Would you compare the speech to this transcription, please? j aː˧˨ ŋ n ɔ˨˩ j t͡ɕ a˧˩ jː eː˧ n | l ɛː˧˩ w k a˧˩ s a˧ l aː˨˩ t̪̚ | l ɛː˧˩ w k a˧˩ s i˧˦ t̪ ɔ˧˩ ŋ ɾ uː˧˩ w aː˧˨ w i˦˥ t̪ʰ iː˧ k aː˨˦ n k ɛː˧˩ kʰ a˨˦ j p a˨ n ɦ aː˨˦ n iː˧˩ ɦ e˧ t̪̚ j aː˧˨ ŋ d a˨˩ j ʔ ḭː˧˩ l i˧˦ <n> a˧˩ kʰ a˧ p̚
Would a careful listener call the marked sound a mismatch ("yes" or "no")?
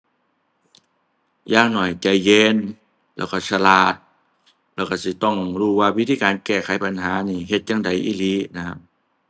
no